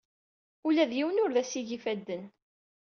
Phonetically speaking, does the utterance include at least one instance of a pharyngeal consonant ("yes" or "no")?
no